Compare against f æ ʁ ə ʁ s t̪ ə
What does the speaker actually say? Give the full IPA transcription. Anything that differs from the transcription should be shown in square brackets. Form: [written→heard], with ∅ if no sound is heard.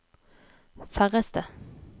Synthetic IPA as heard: f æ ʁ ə [ʁ→∅] s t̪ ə